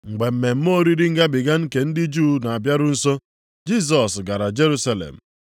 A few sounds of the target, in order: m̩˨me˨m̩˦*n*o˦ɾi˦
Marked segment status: incorrect: m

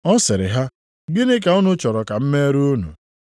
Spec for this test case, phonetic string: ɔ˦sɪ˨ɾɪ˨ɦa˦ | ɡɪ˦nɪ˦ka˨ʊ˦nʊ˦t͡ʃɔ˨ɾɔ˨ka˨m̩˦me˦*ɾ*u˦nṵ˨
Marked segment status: correct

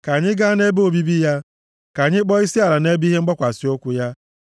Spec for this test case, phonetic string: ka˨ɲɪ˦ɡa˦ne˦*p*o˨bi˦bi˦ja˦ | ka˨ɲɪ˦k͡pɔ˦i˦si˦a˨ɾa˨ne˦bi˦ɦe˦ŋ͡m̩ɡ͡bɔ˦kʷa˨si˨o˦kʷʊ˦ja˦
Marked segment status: incorrect: b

